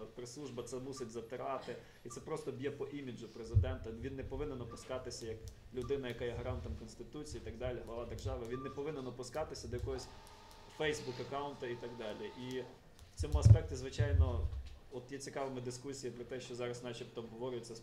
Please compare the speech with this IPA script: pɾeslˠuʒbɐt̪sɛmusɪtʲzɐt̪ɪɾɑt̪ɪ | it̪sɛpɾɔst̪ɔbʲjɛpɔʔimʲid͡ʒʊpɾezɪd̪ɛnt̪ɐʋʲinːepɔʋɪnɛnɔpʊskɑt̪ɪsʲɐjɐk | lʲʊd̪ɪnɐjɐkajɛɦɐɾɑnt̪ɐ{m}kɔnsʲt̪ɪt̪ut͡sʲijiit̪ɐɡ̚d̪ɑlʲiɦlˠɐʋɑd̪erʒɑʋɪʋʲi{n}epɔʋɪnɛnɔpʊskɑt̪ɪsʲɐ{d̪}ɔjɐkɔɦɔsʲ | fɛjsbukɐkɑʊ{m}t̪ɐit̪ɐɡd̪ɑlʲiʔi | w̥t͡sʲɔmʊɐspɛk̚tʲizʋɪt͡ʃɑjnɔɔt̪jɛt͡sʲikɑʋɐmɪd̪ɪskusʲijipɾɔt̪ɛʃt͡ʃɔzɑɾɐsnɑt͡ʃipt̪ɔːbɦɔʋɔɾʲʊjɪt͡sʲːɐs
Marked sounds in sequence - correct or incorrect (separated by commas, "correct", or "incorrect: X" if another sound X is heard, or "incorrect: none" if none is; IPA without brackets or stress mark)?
correct, incorrect: nː, correct, incorrect: n